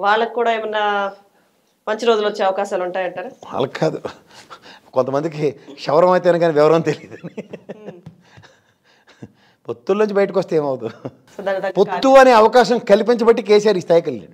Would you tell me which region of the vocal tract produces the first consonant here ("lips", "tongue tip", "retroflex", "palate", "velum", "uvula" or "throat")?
lips